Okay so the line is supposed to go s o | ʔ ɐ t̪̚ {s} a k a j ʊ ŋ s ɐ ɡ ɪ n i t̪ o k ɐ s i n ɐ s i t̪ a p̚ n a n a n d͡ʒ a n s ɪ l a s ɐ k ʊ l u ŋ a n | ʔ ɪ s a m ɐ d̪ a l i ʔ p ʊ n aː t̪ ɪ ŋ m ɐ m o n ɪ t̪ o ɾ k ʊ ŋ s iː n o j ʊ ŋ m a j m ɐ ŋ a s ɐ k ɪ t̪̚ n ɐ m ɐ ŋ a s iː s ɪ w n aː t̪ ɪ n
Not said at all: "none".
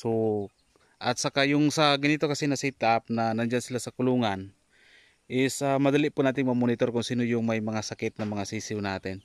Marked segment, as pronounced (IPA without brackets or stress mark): s